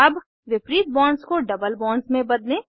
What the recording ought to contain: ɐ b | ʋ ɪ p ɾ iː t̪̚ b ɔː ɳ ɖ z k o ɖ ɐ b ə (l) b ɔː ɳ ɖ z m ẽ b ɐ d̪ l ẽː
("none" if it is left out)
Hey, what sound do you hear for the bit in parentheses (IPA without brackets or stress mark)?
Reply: l